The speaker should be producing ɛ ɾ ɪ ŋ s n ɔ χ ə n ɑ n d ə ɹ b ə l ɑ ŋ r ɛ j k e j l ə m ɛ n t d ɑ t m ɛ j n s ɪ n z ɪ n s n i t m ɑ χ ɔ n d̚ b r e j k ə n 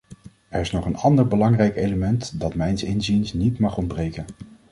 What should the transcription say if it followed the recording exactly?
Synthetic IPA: ɛ ɹ ɪ s n ɔ χ ə n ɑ n d ə ɹ b ə l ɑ ŋ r ɛ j k e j l ə m ɛ n t d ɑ t m ɛ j n s ɪ n z i n s n i t m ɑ χ ɔ n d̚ b r e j k ə n

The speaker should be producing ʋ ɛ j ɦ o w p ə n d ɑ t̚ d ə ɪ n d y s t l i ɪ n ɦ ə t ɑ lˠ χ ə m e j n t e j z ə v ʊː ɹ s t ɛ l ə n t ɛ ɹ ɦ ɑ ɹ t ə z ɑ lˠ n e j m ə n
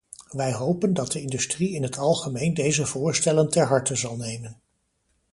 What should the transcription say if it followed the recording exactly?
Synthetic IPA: ʋ ɛ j ɦ o w p ə n d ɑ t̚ d ə ɪ n d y s t r i ɪ n ɦ ə t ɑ lˠ χ ə m e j n d e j z ə v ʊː ɹ s t ɛ l ə n t ɛ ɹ ɦ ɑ ɹ t ə z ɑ lˠ n e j m ə n

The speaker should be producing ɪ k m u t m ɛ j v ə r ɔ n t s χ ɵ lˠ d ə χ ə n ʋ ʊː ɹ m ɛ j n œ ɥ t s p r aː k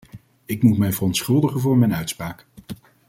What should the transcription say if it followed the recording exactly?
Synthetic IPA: ɪ k m u t m ɛ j v ə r ɔ n t s χ ɵ lˠ d ə χ ə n v ʊː ɹ m ɛ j n œ ɥ t s p r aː k

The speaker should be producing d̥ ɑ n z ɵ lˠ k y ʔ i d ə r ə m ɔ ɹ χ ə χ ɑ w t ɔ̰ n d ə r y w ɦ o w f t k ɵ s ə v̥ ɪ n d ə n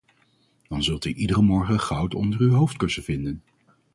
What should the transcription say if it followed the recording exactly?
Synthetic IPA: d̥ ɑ n z ɵ lˠ t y ʔ i d ə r ə m ɔ ɹ χ ə χ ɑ w t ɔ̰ n d ə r y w ɦ o w f t k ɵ s ə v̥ ɪ n d ə n

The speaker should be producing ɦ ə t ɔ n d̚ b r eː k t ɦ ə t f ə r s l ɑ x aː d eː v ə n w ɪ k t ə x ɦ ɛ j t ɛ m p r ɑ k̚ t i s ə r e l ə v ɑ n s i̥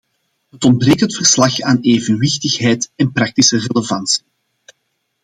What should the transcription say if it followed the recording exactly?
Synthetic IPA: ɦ ə t ɔ n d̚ b r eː k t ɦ ə t f ə r s l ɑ x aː n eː v ə n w ɪ x t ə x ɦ ɛ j t ɛ n p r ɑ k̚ t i s ə r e l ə v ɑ n s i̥

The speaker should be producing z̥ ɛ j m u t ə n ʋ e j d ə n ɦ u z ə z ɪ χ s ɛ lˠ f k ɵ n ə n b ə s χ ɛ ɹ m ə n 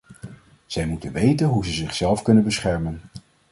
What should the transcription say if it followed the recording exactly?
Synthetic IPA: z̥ ɛ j m u t ə n ʋ e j t ə n ɦ u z ə z ɪ χ s ɛ lˠ f k ɵ n ə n b ə s χ ɛ ɹ m ə n

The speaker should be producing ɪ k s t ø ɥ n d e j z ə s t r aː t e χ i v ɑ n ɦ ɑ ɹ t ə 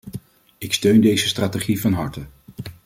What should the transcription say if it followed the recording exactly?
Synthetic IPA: ɪ k s t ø ɥ n d e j z ə s t r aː t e χ i v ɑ n ɦ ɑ ɹ t ə

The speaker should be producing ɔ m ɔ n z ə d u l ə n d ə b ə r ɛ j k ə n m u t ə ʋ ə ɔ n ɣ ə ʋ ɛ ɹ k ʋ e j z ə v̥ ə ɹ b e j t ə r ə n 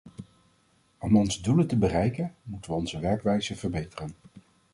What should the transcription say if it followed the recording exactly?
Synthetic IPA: ɔ m ɔ n z ə d u l ə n t ə b ə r ɛ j k ə n m u t ə ʋ ə ɔ n z ə ʋ ɛ ɹ k ʋ ɛ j z ə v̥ ə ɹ b e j t ə r ə n

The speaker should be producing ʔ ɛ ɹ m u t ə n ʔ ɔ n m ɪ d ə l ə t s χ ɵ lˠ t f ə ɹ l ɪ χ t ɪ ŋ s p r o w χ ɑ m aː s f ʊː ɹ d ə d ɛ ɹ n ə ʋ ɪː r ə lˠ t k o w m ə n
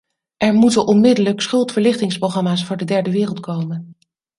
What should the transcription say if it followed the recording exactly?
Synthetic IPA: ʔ ɛ ɹ m u t ə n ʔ ɔ n m ɪ d ə l ə k s χ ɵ lˠ t f ə ɹ l ɪ χ t ɪ ŋ s p r o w χ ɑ m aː s f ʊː ɹ d ə d ɛ ɹ d ə ʋ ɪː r ə lˠ t k o w m ə n

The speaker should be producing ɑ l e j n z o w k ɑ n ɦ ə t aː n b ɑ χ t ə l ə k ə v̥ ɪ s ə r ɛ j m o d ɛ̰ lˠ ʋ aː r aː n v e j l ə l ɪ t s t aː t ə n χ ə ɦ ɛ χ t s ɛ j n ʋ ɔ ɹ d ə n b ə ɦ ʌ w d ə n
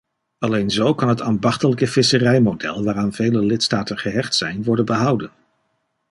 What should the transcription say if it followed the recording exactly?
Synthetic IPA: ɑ l e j n z o w k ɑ n ɦ ə t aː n b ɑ χ t ə l ə k ə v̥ ɪ s ə r ɛ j m o d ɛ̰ lˠ ʋ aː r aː n v e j l ə l ɪ t s t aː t ə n χ ə ɦ ɛ χ t s ɛ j n ʋ ɔ ɹ d ə n b ə ɦ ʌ w d ə n

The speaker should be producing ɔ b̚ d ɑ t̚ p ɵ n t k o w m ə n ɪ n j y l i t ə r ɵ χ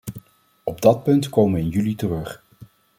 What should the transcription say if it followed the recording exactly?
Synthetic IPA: ɔ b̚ d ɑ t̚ p ɵ n t k o w m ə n ɪ n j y l i t ə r ɵ χ

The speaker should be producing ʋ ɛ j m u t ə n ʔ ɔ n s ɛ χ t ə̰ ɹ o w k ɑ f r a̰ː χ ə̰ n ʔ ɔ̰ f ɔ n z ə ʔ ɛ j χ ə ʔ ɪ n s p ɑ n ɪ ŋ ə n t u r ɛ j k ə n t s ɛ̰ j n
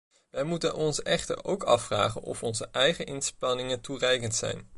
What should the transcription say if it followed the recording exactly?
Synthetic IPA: ʋ ɛ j m u t ə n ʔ ɔ n s ɛ χ t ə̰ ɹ o w k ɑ f r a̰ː χ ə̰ n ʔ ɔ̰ f ɔ n z ə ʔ ɛ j χ ə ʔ ɪ n s p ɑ n ɪ ŋ ə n t u r ɛ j k ə n t s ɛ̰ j n

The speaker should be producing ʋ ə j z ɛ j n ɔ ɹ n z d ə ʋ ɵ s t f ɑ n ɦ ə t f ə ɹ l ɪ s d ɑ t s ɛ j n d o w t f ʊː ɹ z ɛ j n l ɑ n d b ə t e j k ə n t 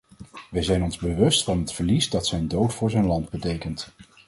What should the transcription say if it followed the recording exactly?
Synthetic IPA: ʋ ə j z ɛ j n ɔ n z b ə ʋ ɵ s t f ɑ n ɦ ə t f ə ɹ l i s d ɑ t s ɛ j n d o w t f ʊː ɹ z ɛ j n l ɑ n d b ə t e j k ə n t

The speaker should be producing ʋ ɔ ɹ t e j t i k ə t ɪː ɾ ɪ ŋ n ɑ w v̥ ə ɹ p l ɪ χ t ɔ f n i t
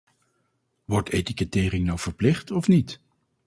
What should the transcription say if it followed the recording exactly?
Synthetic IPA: ʋ ɔ ɹ t e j t i k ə t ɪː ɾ ɪ ŋ n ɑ w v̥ ə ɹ p l ɪ χ t ɔ f n i t

